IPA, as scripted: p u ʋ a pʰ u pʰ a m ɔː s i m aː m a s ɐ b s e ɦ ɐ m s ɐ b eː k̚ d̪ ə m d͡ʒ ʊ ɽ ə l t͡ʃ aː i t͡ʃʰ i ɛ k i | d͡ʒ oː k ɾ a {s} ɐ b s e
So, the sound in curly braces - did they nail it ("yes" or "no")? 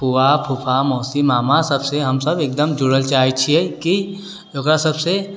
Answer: yes